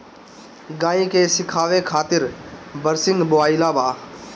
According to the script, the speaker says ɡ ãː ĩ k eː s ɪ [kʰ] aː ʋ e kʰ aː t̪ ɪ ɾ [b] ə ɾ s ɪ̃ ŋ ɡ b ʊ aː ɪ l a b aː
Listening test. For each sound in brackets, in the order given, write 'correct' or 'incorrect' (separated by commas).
correct, correct